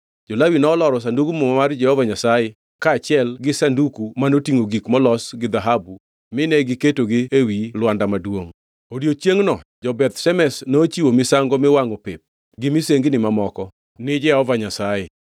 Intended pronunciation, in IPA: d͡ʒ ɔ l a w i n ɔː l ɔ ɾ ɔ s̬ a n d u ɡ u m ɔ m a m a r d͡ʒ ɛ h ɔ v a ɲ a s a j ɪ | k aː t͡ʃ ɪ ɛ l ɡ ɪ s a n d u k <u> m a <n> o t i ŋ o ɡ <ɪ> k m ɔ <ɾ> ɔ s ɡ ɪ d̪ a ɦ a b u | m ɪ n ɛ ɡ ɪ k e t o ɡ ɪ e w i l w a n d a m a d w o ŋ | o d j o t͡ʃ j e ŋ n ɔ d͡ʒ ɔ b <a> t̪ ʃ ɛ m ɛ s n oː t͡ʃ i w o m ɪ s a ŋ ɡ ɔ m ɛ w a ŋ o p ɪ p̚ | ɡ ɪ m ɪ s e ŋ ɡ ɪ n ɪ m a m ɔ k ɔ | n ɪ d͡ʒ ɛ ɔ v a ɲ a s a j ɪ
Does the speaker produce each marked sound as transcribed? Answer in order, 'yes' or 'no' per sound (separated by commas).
yes, yes, no, no, no